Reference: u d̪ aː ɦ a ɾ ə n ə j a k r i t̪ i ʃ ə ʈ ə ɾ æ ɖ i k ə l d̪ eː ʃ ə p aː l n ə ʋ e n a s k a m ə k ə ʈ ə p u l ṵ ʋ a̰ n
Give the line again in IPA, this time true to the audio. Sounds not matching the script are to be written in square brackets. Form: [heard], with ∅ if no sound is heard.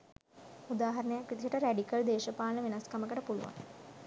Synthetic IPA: u d̪ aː ɦ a ɾ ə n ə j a k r i t̪ i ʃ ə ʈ ə ɾ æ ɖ i k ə l d̪ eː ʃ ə p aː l n ə ʋ e n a s k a m ə k ə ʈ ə p u l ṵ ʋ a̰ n